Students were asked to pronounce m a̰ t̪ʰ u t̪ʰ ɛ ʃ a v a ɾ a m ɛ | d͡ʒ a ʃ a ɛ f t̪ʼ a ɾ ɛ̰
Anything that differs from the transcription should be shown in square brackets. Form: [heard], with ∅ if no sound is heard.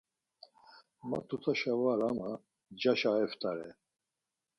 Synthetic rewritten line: m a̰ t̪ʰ u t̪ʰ [a] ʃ a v a ɾ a m [a] | d͡ʒ a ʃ a ɛ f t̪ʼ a ɾ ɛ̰